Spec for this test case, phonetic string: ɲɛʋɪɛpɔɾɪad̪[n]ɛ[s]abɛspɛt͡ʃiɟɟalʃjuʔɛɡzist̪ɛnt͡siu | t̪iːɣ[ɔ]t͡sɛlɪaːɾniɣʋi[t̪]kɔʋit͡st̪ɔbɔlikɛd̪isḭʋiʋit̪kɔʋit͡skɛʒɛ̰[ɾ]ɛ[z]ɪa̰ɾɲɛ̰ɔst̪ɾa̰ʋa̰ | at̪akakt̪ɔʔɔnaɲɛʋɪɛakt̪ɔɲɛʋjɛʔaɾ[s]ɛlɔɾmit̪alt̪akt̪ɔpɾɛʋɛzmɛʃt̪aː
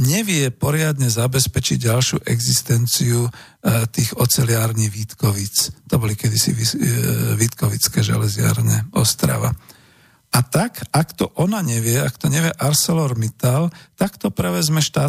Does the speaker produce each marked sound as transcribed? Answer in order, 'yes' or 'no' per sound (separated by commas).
no, no, yes, yes, no, yes, yes